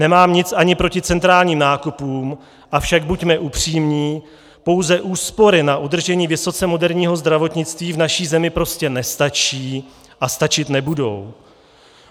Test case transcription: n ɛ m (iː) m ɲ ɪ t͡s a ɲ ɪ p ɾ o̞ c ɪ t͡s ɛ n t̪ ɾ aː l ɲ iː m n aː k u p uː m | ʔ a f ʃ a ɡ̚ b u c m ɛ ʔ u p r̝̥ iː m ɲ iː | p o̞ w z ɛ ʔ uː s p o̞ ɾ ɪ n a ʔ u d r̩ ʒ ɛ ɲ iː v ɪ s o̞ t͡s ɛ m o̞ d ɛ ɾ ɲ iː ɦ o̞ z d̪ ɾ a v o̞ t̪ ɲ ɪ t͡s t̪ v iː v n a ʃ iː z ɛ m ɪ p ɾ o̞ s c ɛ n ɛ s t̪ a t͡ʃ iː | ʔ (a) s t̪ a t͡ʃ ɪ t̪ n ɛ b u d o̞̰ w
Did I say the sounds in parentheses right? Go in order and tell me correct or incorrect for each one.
incorrect: aː, correct

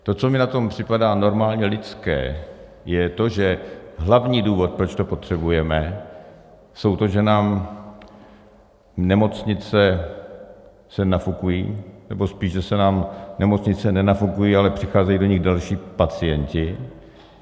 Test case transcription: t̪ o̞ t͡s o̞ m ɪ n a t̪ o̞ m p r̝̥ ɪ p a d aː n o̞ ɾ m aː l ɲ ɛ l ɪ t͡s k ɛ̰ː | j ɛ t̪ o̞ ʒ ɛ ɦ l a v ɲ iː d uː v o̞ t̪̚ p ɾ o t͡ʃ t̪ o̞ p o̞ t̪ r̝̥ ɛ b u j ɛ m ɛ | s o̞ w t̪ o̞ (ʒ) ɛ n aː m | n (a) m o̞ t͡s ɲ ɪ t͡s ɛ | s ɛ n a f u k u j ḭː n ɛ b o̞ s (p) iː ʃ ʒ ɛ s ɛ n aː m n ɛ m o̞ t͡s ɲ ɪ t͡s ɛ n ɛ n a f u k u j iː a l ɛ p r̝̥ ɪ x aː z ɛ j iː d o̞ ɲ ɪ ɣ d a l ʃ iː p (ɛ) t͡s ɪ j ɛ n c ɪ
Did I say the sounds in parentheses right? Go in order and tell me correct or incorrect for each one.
correct, incorrect: ɛ, correct, incorrect: a

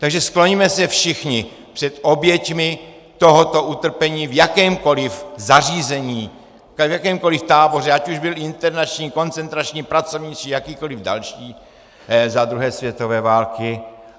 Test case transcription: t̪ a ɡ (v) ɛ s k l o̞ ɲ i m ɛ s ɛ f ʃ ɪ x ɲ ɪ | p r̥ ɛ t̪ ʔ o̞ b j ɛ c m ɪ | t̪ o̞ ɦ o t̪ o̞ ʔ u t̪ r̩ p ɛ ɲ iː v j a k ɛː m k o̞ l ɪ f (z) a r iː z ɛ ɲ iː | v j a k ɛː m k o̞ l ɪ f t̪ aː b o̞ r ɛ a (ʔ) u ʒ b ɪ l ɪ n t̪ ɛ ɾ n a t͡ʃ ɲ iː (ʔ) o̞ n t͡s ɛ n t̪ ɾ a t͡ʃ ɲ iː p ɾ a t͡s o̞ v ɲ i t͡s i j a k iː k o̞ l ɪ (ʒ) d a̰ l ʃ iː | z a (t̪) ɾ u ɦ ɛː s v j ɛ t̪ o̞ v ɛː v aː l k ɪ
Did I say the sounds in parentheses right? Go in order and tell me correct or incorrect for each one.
incorrect: ʒ, correct, incorrect: c, incorrect: k, incorrect: v, incorrect: d̪

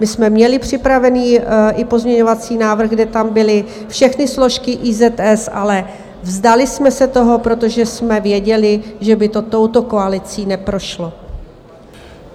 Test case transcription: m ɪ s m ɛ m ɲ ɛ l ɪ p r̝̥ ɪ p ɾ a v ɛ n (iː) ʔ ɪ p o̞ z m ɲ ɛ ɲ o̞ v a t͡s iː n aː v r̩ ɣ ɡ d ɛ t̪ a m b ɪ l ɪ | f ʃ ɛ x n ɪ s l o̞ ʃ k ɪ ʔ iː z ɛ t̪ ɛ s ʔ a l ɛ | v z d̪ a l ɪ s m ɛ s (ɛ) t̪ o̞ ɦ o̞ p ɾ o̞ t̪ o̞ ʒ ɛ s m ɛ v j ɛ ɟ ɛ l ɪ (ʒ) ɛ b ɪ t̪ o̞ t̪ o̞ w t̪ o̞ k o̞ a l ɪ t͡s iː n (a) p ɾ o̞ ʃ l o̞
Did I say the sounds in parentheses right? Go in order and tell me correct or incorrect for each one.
correct, correct, correct, incorrect: ɛ

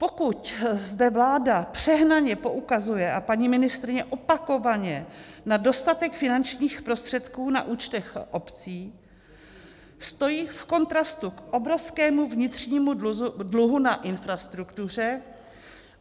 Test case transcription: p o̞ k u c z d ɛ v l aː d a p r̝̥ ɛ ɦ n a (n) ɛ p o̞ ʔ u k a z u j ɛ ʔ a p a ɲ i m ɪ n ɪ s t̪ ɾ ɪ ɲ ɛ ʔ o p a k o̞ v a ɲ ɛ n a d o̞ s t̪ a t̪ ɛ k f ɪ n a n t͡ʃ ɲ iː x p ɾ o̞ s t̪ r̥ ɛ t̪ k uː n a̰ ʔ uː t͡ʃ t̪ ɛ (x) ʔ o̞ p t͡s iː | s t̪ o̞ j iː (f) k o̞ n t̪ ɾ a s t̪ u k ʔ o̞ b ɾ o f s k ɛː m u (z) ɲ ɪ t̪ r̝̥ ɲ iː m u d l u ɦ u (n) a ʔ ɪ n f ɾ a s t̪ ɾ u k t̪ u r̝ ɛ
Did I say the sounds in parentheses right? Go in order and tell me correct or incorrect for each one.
incorrect: ɲ, correct, correct, incorrect: v, correct

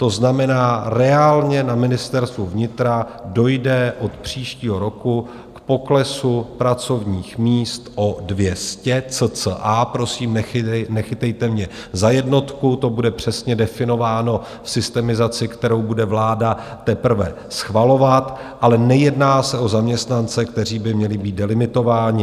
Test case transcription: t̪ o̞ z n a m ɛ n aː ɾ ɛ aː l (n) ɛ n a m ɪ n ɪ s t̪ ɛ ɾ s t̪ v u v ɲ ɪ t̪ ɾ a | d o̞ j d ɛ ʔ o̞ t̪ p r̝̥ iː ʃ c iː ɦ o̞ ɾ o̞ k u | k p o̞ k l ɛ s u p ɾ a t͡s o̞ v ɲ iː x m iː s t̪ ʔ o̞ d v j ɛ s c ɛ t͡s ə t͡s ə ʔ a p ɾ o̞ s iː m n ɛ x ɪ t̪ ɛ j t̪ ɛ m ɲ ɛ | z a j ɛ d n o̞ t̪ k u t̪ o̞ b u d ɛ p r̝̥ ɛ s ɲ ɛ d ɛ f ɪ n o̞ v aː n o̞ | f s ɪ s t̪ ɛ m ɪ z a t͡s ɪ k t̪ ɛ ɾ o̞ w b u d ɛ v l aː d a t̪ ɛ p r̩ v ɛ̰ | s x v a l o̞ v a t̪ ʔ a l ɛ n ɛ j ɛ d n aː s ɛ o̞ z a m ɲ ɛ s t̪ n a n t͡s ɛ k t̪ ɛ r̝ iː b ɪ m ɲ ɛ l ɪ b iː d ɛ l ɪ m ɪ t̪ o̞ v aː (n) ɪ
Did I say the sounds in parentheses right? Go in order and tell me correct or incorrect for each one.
incorrect: ɲ, incorrect: ɲ

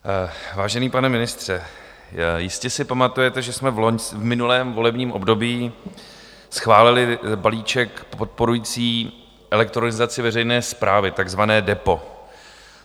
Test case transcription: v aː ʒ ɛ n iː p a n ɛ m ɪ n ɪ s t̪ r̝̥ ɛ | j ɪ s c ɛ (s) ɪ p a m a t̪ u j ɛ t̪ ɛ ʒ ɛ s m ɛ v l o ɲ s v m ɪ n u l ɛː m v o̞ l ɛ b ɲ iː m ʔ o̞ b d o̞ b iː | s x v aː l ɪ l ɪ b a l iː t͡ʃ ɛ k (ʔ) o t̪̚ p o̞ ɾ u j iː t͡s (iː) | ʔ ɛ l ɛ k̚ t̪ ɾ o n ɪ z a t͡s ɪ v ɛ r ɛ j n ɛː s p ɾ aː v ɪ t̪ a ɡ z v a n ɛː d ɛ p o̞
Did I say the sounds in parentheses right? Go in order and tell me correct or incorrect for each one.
correct, incorrect: p, correct

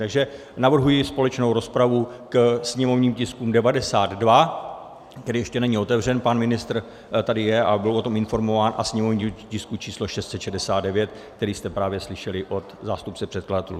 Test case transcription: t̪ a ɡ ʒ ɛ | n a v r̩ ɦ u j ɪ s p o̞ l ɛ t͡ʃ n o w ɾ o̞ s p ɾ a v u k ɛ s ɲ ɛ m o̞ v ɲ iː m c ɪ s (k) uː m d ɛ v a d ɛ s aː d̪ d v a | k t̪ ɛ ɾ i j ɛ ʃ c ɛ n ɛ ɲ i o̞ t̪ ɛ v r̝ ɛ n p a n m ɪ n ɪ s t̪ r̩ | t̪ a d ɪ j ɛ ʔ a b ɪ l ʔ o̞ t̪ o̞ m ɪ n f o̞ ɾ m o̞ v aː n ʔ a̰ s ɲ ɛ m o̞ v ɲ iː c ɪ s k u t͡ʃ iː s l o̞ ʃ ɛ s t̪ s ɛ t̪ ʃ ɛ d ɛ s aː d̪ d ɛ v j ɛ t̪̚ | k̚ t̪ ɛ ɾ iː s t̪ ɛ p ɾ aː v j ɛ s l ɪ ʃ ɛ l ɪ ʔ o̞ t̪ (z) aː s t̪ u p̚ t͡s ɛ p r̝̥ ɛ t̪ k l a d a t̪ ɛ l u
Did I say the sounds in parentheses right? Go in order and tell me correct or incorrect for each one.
correct, correct

